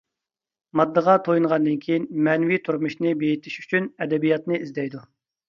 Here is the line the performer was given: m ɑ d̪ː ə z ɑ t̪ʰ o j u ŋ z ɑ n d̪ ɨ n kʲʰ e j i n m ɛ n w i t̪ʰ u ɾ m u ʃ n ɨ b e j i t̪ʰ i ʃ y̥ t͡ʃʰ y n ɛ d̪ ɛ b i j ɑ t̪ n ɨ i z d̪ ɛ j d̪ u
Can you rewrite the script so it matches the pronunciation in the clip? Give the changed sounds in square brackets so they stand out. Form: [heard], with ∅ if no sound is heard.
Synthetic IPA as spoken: m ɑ d̪ː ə [ʁ] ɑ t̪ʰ o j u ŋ [ʁ] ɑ n d̪ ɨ n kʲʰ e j i n m ɛ n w i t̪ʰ u ɾ m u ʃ n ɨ b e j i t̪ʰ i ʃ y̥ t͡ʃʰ y n ɛ d̪ ɛ b i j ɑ t̪ n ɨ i z d̪ ɛ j d̪ u

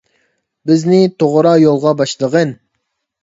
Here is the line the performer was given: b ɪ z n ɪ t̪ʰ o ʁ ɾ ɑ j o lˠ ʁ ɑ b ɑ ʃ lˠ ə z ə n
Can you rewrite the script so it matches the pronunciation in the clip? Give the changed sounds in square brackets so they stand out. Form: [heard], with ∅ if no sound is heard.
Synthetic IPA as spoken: b ɪ z n ɪ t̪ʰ o ʁ ɾ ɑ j o lˠ ʁ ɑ b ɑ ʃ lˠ ə [ʁ] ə n

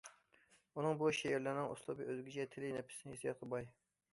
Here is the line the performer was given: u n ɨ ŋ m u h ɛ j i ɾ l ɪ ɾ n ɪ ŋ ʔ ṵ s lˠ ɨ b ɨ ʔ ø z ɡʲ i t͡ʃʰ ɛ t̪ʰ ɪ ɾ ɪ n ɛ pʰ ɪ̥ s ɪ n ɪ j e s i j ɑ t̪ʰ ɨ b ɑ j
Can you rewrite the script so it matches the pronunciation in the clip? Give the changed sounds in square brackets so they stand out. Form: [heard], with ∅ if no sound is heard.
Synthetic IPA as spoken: u n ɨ ŋ [b] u [ʃ] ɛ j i ɾ l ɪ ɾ n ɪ ŋ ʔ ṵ s lˠ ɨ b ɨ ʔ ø z ɡʲ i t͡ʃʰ ɛ t̪ʰ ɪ [l] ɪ n ɛ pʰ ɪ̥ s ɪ n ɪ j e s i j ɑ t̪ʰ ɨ b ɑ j

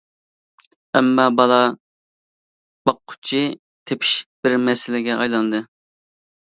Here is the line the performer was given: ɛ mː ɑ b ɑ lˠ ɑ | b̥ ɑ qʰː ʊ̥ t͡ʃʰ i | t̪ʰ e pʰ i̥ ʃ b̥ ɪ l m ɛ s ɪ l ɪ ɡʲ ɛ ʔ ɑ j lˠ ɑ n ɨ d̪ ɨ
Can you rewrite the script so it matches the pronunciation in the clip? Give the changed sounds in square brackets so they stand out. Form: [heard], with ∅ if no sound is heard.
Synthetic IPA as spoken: ɛ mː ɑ b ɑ lˠ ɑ | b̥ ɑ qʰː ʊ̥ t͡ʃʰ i | t̪ʰ e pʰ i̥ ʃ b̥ ɪ [ɾ] m ɛ s ɪ l ɪ ɡʲ ɛ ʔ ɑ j lˠ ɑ n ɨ d̪ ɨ

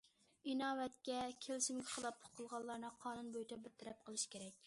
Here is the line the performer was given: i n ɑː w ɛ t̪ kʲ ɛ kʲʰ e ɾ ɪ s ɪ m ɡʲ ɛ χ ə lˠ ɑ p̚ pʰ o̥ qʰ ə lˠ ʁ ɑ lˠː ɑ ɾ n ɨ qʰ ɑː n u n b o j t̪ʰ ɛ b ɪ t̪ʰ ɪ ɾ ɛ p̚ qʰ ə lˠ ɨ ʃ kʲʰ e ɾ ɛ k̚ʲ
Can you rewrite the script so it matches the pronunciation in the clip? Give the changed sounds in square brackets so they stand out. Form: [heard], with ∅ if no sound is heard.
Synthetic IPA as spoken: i n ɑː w ɛ t̪ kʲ ɛ kʲʰ e [l] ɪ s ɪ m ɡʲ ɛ χ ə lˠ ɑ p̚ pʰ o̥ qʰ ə lˠ ʁ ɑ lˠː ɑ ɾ n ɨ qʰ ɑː n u n b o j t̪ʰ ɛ b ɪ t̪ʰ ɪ ɾ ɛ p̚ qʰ ə lˠ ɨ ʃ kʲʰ e ɾ ɛ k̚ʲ

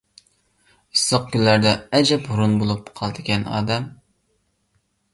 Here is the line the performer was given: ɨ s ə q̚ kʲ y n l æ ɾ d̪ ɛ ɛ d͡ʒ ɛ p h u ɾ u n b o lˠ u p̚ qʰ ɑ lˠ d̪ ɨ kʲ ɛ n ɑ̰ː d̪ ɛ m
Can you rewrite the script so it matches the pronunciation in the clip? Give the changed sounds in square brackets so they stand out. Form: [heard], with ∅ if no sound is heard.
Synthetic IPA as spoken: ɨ s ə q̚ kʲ y n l æ ɾ d̪ ɛ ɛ d͡ʒ ɛ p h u ɾ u n b o lˠ u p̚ qʰ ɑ lˠ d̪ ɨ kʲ ɛ n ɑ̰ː d̪ ɛ m

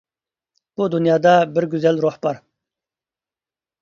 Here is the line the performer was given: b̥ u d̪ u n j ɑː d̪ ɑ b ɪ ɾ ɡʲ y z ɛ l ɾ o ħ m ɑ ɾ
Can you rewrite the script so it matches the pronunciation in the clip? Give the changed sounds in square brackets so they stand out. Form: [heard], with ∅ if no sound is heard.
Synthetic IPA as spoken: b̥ u d̪ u n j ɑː d̪ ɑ b ɪ ɾ ɡʲ y z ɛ l ɾ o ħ [b] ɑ ɾ

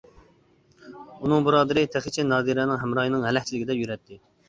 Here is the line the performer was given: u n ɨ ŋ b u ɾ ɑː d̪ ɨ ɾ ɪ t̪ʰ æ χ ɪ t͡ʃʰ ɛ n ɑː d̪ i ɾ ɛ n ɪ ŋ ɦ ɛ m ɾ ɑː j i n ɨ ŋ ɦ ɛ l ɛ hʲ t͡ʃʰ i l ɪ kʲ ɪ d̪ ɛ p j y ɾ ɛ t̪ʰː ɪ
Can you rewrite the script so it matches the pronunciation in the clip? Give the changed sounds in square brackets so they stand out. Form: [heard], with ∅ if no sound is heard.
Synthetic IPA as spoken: u n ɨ ŋ b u ɾ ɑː d̪ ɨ ɾ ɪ t̪ʰ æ χ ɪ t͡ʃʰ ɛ n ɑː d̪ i ɾ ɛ n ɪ ŋ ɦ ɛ m ɾ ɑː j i n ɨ ŋ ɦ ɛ l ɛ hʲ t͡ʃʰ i l ɪ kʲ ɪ d̪ ɛ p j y ɾ ɛ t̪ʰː ɪ

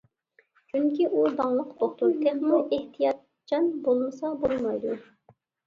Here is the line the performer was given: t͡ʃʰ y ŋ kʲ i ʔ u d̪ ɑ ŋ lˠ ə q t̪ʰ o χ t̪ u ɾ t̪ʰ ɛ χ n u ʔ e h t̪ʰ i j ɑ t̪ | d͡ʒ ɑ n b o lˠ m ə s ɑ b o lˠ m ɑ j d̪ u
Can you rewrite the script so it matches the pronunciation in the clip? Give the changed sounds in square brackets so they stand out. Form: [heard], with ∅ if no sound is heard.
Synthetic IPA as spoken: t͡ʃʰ y ŋ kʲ i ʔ u d̪ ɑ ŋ lˠ ə q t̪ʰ o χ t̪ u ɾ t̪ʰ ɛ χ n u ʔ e h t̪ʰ i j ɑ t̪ | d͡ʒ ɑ n b o lˠ m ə s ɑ b o lˠ m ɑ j d̪ u

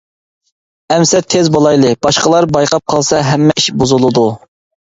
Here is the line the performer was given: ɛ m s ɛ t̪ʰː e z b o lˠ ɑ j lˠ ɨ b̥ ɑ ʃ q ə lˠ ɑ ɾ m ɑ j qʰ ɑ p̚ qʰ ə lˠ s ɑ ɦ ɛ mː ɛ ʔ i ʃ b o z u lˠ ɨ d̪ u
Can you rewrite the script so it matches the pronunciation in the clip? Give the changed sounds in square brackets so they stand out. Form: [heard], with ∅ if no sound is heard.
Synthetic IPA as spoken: ɛ m s ɛ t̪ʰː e z b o lˠ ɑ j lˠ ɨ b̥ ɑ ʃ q ə lˠ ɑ ɾ [b] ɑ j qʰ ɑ p̚ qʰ [ɑ] lˠ s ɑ ɦ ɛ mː ɛ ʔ i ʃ b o z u lˠ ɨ d̪ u

